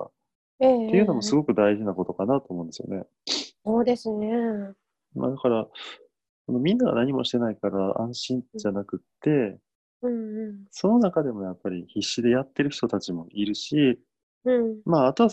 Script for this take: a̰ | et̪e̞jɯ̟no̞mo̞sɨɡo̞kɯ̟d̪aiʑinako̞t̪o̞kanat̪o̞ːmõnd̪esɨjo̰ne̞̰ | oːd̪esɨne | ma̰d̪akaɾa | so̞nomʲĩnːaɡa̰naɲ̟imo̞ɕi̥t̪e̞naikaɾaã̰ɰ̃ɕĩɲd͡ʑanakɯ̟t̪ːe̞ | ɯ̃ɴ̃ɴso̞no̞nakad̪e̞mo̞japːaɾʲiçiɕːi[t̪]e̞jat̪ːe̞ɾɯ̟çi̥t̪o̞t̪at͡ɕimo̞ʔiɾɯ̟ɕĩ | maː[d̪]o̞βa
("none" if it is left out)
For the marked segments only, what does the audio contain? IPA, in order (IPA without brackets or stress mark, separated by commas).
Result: d̪, t̪